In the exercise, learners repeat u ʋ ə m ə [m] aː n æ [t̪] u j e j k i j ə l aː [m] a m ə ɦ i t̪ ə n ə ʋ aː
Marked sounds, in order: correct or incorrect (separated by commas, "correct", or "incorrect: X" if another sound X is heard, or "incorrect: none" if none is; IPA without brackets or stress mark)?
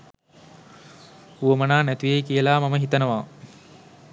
incorrect: n, correct, correct